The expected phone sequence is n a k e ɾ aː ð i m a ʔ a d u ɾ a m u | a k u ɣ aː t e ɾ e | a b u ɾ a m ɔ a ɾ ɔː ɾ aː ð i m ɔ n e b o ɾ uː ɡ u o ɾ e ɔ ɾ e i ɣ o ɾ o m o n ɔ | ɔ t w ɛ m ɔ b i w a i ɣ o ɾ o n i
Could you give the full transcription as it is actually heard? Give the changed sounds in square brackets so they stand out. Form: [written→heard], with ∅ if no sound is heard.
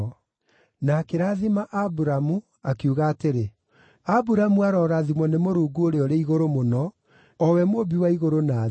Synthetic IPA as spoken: n a k e ɾ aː ð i m a ʔ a [d→b] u ɾ a m u | a k u ɣ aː t e ɾ e | a b u ɾ a m [ɔ→u] a ɾ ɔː ɾ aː ð i m ɔ n e [b→m] o ɾ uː ɡ u o ɾ e ɔ ɾ e i ɣ o ɾ o m o n ɔ | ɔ [t→∅] w ɛ m [ɔ→o] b i w a i ɣ o ɾ o n [i→a]

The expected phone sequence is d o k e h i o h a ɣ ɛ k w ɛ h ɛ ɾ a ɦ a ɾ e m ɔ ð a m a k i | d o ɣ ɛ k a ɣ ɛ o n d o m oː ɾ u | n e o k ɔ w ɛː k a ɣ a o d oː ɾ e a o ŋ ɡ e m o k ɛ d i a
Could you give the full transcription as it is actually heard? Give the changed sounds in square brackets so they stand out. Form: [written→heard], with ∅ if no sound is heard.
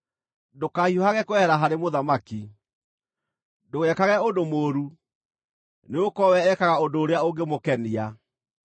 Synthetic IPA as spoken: d o k [e→a] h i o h a ɣ ɛ k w ɛ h ɛ ɾ a ɦ a ɾ e m [ɔ→o] ð a m a k i | d o ɣ ɛ k a ɣ ɛ o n d o m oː ɾ u | n e o k ɔ w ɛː k a ɣ a o d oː ɾ e a o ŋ ɡ e m o k ɛ [d→n] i a

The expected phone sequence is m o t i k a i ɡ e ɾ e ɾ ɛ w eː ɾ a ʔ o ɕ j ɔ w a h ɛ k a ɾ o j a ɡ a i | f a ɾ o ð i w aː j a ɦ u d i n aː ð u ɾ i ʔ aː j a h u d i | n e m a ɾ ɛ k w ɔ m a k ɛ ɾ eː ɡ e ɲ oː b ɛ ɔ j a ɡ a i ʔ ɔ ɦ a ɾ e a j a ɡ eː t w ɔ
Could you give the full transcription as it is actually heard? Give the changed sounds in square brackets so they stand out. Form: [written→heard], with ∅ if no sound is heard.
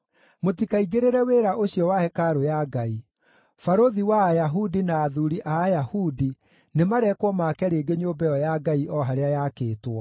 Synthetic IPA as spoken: m o t i k a i ɡ e ɾ e ɾ ɛ w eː ɾ a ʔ o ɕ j ɔ w a h ɛ k a ɾ o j a ɡ a i | f a ɾ o ð i w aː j a ɦ u d i n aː ð u ɾ i ʔ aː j a h u d i | n e m a ɾ ɛ k w ɔ m a k ɛ ɾ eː ɡ e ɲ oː b ɛ ɔ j a ɡ a i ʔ ɔ ɦ a ɾ e a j a [ɡ→k] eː t w ɔ

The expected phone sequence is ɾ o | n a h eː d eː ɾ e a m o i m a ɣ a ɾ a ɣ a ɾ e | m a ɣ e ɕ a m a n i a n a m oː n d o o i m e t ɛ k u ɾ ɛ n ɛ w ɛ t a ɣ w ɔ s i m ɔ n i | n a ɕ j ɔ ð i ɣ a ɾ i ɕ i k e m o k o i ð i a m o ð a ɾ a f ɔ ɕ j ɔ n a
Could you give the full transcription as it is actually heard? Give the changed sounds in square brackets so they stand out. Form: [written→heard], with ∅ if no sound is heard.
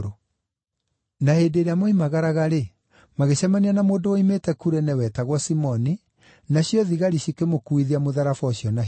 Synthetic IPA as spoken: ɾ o | n a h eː d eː ɾ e a m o i m a ɣ a ɾ a ɣ a ɾ e | m a ɣ e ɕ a m a n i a n a m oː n d o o i m e t ɛ k u ɾ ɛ n ɛ w ɛ t a ɣ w ɔ s i m ɔ n i | n a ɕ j ɔ ð i ɣ a ɾ i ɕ i k e m o k [o→u] i ð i a m o ð a ɾ a f ɔ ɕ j ɔ n a

